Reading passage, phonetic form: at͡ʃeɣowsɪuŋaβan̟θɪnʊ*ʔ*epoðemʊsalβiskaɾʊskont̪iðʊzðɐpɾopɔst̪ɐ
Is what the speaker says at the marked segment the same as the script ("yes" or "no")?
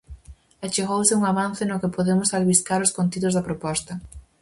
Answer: no